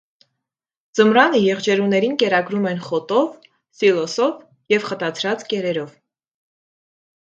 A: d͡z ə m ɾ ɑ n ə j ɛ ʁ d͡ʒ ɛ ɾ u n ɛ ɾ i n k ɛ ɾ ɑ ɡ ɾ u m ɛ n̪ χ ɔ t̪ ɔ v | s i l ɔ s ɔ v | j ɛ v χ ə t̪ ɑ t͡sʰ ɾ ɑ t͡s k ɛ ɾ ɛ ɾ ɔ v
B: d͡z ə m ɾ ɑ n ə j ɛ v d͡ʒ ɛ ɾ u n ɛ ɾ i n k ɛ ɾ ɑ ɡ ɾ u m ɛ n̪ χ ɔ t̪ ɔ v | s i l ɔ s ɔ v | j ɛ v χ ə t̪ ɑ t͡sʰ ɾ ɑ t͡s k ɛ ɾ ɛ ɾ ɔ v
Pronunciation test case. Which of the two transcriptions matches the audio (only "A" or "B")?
A